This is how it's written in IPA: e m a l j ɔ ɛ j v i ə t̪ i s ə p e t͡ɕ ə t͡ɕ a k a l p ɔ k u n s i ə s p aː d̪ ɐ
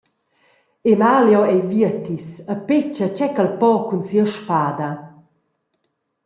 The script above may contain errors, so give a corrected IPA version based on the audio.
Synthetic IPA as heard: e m a l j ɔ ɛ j v i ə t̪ i s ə p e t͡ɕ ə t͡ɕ ɛ k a l p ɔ k u n s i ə ʃ p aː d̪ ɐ